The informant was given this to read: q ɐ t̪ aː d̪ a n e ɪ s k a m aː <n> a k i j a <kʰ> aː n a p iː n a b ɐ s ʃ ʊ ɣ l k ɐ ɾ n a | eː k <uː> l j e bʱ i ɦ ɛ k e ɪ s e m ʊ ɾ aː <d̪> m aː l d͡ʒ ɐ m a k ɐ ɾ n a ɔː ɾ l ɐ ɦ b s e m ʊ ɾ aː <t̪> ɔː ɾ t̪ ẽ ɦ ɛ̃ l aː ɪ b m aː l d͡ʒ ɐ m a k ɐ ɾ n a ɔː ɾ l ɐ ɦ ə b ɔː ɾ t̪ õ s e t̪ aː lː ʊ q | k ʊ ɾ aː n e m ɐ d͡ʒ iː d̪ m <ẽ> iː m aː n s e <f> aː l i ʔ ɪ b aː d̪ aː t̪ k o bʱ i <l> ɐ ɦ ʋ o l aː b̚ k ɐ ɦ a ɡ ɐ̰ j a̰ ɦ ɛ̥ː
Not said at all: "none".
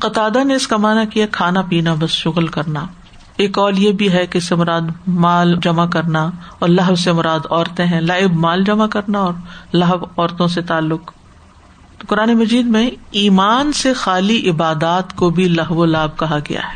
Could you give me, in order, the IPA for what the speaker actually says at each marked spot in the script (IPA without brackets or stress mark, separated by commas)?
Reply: n, kʰ, ɔː, d̪, d̪, ẽ, x, l